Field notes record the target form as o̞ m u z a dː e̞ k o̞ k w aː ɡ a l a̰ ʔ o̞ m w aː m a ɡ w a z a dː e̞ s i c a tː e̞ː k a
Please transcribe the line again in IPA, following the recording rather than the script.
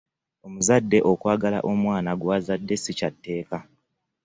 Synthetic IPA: o̞ m u z a dː e̞ ʔ o̞ k w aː ɡ a l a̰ ʔ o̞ m w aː n a ɡ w a z a dː e̞ s i c a tː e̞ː k a